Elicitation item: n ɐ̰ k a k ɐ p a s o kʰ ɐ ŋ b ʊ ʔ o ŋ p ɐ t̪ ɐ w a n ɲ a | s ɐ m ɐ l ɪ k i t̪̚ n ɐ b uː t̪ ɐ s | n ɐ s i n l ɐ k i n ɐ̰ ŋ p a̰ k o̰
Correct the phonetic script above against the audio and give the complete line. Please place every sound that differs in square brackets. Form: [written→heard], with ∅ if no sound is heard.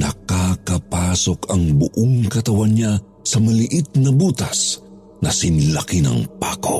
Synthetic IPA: n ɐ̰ k a k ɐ p a s o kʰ ɐ ŋ b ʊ ʔ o ŋ [p→k] ɐ t̪ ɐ w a n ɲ a | s ɐ m ɐ l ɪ [k→ʔ] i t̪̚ n ɐ b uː t̪ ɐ s | n ɐ s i n l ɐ k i n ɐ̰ ŋ p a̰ k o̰